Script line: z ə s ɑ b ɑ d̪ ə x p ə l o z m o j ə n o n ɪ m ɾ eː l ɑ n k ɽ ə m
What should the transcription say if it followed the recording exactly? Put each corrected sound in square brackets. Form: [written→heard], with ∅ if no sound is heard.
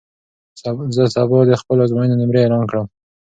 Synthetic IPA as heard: z ə s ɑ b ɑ d̪ ə x p ə l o z m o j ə n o n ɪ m ɾ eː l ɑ n k ɽ ə m